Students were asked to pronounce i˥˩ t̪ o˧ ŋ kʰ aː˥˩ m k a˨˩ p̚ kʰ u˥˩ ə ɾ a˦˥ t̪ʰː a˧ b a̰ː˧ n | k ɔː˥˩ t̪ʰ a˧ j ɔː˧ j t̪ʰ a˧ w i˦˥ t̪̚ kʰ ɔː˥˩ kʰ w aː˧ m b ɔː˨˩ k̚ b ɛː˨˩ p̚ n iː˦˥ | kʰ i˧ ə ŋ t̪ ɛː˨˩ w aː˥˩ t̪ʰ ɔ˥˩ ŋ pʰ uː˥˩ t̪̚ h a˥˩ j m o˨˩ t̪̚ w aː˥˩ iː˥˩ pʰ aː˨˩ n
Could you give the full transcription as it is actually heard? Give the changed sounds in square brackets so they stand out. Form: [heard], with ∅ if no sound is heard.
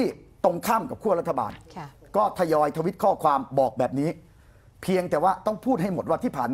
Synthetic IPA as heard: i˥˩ t̪ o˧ ŋ kʰ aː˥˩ m k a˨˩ p̚ kʰ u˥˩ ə ɾ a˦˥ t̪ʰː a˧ b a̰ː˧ n | k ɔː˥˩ t̪ʰ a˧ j ɔː˧ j t̪ʰ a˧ w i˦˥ t̪̚ kʰ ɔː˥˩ kʰ w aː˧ m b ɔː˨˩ k̚ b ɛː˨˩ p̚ n iː˦˥ | [pʰ] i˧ ə ŋ t̪ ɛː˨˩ w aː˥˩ [t̪] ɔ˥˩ ŋ pʰ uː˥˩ t̪̚ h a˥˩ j m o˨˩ t̪̚ w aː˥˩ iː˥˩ pʰ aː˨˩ n